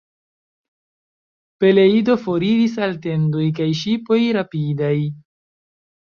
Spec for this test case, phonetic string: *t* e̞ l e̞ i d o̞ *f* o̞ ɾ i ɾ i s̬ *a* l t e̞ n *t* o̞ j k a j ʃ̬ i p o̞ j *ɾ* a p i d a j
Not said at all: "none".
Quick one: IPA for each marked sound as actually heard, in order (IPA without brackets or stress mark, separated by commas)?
p, f, a, d, ɾ